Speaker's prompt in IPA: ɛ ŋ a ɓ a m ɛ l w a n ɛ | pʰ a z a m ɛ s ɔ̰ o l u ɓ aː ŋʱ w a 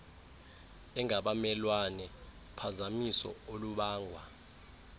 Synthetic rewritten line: ɛ ŋ a ɓ a m ɛ l w a n ɛ | pʰ a z a m i s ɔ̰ o l u ɓ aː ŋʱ w a